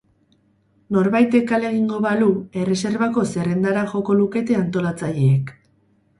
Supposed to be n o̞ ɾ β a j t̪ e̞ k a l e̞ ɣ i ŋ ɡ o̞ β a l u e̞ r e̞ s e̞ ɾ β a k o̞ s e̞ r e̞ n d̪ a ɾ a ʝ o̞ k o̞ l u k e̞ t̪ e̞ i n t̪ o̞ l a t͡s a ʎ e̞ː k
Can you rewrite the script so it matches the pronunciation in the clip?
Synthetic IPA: n o̞ ɾ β a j t̪ e̞ k a l e̞ ɣ i ŋ ɡ o̞ β a l u e̞ r e̞ s e̞ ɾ β a k o̞ s e̞ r e̞ n d̪ a ɾ a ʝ o̞ k o̞ l u k e̞ t̪ e̞ a n t̪ o̞ l a t͡s a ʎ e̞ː k